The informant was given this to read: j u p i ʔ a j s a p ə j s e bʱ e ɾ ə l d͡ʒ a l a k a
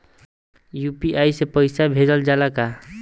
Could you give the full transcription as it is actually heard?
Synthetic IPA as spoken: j u p i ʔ a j s e p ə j s a bʱ e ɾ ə l d͡ʒ a l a k a